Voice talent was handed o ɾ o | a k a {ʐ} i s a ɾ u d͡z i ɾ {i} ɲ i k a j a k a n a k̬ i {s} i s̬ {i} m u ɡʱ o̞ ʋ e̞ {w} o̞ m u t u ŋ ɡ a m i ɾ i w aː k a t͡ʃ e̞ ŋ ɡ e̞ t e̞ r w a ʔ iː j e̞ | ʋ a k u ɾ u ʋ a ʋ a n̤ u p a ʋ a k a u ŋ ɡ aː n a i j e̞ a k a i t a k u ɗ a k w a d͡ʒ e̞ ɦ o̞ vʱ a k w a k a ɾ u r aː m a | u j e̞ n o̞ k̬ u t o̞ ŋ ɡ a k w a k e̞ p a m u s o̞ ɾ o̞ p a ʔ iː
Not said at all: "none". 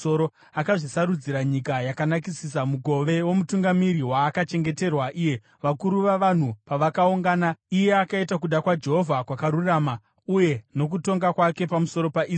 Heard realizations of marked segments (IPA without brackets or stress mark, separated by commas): ʐ, a, s, a, w